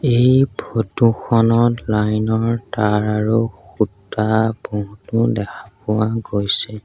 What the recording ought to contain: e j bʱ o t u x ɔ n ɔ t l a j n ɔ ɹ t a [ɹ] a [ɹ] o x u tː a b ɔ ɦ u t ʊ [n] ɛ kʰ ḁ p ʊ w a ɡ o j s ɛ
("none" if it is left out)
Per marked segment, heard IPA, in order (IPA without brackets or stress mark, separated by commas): ɹ, ɹ, d